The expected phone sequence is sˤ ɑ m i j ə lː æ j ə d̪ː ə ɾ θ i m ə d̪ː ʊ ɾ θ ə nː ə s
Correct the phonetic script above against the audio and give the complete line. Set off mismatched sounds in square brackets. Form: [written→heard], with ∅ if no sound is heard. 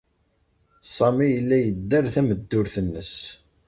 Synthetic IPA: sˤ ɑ m i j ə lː æ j ə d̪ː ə ɾ θ [i→æ] m ə d̪ː ʊ ɾ θ ə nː ə s